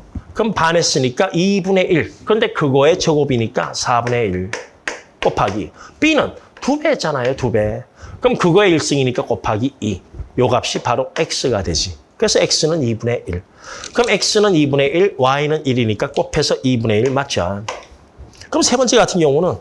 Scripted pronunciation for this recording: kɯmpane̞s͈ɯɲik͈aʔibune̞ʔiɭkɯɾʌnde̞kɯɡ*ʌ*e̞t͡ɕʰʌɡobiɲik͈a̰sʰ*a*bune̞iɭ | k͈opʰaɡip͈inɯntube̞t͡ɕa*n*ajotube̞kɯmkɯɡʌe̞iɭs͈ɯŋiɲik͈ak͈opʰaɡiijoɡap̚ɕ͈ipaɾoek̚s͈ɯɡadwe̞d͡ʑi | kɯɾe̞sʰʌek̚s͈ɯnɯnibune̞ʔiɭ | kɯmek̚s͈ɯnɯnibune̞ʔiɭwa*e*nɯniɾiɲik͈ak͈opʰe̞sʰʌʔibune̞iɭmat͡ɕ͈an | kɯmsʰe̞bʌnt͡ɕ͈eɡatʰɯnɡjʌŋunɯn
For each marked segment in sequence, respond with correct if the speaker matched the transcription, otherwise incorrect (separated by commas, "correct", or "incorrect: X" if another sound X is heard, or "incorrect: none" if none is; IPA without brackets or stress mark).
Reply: correct, correct, correct, incorrect: i